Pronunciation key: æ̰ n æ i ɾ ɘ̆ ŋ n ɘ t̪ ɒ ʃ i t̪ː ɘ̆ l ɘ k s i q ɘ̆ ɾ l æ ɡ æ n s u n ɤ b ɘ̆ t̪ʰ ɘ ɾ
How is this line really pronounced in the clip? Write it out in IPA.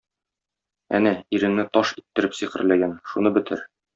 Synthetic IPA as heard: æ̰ n æ i ɾ ɘ̆ ŋ n ɘ t̪ ɒ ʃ i t̪ː ɘ̆ ɾ ɘ p s i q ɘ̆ ɾ l æ ɡ æ n ʃ u n ɤ b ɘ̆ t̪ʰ ɘ ɾ